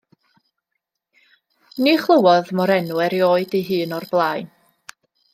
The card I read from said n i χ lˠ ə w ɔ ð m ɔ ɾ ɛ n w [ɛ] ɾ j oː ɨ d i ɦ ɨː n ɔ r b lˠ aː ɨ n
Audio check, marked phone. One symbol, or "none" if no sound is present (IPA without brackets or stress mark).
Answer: ɛ